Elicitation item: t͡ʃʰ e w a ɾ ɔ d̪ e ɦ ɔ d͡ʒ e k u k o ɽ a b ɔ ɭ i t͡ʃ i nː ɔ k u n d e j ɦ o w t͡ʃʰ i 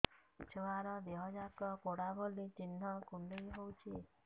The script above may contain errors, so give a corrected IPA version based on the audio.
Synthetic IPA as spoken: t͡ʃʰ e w a ɾ ɔ d̪ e ɦ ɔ d͡ʒ a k ɔ k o ɽ a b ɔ l i t͡ʃ i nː ɔ k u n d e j ɦ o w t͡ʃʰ i